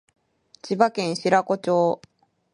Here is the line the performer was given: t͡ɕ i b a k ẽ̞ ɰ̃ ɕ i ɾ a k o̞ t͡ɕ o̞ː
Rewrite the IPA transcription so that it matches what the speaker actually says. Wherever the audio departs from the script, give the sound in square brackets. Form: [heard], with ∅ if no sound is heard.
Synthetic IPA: t͡ɕ i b a k ẽ̞ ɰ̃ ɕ i ɾ a k o̞ t͡ɕ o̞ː